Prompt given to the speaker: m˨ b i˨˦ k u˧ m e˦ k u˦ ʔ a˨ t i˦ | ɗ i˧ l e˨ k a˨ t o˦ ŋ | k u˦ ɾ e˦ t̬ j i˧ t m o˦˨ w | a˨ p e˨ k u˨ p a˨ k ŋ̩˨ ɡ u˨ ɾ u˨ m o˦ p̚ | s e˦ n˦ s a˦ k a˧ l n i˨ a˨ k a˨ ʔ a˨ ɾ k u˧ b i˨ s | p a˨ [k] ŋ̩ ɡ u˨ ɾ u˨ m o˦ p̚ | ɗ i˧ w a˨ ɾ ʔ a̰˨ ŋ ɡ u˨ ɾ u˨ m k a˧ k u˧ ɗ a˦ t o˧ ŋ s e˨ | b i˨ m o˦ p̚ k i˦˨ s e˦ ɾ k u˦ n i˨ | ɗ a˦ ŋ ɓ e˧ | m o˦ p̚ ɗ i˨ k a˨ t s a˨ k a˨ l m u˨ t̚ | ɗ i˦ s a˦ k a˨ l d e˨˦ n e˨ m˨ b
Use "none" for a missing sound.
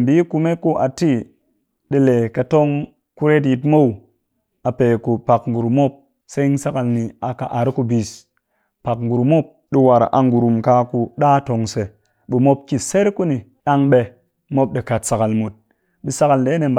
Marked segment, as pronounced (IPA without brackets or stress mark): k